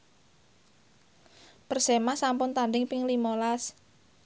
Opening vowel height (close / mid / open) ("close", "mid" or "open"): mid